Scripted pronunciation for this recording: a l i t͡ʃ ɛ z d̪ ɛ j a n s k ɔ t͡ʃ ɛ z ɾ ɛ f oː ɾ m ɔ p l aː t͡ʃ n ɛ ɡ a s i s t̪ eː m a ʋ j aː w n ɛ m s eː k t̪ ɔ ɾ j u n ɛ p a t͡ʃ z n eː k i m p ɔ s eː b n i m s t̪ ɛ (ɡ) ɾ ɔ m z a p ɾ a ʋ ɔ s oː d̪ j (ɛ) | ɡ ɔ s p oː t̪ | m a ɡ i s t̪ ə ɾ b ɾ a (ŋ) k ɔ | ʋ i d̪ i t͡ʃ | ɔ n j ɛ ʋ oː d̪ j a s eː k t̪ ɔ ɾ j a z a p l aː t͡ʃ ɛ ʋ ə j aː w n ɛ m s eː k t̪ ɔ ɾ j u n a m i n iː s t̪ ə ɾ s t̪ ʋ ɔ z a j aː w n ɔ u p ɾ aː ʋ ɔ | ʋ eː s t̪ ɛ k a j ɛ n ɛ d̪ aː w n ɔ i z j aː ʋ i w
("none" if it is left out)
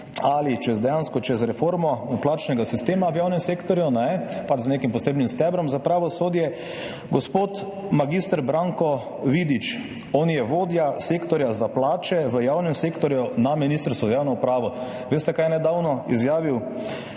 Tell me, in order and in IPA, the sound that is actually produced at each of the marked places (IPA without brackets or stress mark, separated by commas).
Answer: b, ɛ, ŋ